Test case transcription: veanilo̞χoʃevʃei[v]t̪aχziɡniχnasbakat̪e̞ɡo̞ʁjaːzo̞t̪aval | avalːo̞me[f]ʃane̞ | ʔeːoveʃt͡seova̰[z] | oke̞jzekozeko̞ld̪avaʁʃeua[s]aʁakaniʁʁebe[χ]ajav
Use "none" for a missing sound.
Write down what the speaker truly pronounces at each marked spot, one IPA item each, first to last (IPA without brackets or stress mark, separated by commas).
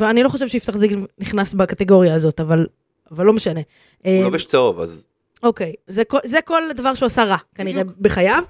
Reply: f, none, z, s, χ